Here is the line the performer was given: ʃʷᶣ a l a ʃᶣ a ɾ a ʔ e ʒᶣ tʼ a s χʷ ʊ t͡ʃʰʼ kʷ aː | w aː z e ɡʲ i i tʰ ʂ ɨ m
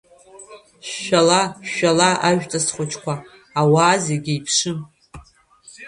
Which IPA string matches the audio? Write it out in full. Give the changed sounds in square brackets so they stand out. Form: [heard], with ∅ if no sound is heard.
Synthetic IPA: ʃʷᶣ a l a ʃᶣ a [l] a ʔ [a] ʒᶣ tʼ a s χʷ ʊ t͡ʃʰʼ kʷ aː | w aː z e ɡʲ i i [pʰ] ʂ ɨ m